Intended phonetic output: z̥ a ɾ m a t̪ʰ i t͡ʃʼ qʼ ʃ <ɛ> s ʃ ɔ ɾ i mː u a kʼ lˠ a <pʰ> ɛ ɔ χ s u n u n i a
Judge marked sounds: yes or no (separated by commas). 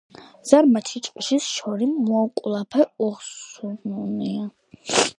no, yes